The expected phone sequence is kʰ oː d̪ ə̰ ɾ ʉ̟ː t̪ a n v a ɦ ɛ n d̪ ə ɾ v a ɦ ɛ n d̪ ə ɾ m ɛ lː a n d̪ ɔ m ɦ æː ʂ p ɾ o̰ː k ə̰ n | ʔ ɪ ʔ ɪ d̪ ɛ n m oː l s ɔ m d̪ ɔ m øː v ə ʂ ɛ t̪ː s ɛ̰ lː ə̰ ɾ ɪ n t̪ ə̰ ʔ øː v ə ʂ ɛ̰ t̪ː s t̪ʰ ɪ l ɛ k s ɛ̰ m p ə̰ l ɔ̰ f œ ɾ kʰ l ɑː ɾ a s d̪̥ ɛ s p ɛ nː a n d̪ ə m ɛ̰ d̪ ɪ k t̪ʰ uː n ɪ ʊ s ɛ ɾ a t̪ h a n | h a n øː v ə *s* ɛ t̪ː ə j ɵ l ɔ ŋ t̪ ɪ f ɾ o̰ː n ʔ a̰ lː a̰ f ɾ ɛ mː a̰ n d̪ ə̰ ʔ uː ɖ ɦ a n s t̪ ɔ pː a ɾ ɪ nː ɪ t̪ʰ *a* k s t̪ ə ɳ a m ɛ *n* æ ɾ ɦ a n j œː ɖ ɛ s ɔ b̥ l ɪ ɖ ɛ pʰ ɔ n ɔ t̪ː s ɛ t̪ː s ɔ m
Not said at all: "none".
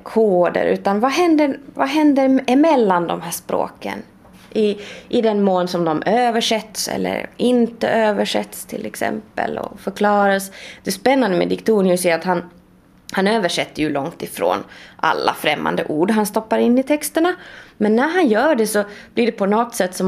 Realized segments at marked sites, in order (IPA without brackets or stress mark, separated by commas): ʂ, ɛ, nː